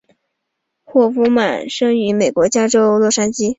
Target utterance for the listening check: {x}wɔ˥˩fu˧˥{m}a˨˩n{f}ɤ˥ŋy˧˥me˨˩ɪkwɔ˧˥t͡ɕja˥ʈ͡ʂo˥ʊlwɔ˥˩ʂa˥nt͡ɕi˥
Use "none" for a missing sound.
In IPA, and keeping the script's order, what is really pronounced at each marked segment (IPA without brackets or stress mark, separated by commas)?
x, m, ʂ